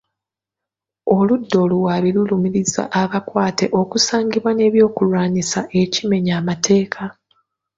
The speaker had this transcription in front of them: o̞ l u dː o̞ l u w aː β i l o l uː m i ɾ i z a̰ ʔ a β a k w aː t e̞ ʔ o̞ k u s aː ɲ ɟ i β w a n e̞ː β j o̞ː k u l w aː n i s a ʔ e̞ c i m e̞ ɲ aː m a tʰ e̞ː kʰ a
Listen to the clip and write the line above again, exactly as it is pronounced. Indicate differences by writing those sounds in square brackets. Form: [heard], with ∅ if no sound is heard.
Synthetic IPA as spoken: o̞ l u dː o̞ l u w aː β i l [u] l [u] m i ɾ i z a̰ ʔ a β a k w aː t e̞ ʔ o̞ k u s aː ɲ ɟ i β w a n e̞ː β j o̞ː k u l w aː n i s a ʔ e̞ c i m e̞ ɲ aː m a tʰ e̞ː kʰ a